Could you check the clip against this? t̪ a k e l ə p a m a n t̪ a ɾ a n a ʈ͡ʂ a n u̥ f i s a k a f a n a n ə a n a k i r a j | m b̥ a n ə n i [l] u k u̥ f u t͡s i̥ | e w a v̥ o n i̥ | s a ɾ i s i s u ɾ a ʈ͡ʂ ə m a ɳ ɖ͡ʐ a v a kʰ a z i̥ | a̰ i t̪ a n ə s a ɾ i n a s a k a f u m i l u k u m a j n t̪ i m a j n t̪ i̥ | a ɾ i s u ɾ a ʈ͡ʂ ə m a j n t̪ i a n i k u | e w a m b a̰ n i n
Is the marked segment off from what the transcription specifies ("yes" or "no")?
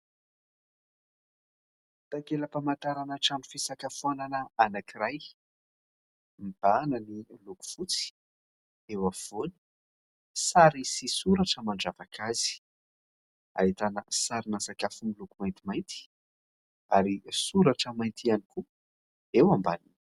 no